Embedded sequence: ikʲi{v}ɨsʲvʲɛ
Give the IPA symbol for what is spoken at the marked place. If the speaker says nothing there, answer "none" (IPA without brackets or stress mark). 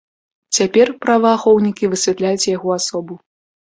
v